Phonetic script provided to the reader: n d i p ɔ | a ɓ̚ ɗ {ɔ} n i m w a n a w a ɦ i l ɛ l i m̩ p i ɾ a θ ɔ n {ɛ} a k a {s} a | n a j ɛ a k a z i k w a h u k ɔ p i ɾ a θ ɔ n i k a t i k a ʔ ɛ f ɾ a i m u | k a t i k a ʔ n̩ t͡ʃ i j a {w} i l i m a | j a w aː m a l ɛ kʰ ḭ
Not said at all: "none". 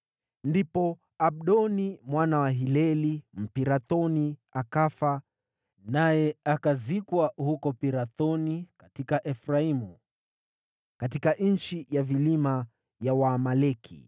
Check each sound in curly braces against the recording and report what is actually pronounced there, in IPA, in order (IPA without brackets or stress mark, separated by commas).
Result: ɔ, i, f, v